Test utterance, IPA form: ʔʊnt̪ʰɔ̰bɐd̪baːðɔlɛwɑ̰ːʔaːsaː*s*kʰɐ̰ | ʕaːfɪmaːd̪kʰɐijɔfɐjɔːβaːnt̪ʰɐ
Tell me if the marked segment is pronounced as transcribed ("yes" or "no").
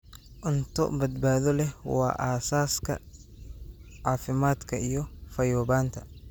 yes